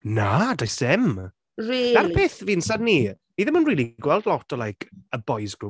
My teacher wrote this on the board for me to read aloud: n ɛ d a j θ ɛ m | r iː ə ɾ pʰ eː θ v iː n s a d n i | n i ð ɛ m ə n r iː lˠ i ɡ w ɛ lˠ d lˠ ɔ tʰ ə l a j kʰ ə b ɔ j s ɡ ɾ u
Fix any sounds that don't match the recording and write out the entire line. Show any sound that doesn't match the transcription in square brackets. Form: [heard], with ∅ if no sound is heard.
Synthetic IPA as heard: n [a] d a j [s] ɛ m | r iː [a] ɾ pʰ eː θ v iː n s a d n i | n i ð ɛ m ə n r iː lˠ i ɡ w ɛ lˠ d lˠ ɔ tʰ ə l a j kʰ ə b ɔ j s ɡ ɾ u